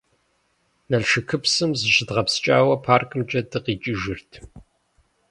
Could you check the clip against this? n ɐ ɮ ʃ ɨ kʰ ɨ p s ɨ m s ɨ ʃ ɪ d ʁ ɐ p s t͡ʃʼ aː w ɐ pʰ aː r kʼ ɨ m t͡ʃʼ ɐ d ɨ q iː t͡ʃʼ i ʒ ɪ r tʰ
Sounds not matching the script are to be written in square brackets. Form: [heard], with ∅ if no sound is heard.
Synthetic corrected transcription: n ɐ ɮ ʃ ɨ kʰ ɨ p s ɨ m [z] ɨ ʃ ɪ d ʁ ɐ p s t͡ʃʼ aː w ɐ pʰ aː r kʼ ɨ m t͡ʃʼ ɐ d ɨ q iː t͡ʃʼ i ʒ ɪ r tʰ